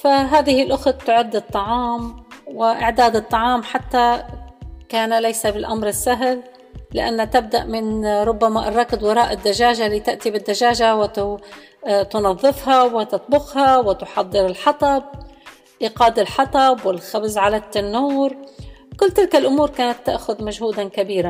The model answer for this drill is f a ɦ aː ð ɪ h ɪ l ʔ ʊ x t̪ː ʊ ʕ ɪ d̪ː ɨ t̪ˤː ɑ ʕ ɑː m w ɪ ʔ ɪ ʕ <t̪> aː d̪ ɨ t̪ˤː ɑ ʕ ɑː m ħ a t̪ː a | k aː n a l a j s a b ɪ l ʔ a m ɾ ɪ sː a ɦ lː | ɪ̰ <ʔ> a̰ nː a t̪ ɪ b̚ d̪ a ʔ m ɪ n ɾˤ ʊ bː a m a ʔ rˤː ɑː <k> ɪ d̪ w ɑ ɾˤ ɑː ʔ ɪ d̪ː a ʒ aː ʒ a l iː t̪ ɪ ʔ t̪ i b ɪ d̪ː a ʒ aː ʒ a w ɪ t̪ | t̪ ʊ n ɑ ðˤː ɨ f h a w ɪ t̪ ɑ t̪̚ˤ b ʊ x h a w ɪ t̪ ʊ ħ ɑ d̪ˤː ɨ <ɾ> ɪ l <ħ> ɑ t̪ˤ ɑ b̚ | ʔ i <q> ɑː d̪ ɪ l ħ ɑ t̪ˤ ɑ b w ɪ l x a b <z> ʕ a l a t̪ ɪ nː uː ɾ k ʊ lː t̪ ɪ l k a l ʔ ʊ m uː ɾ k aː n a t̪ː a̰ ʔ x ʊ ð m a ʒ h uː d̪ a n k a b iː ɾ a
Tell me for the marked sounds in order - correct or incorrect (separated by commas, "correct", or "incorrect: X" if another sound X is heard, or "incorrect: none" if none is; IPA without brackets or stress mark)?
incorrect: d̪, correct, correct, correct, correct, correct, correct